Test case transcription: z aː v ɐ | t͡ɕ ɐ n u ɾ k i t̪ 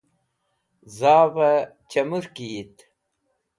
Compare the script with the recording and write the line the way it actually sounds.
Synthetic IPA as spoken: z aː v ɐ | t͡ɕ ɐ m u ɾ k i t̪